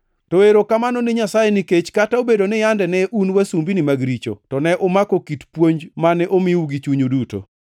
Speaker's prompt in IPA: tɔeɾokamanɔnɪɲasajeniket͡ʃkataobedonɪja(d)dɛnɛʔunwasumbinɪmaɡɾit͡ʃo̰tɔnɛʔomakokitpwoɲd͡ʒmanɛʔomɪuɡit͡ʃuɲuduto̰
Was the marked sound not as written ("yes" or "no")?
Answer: yes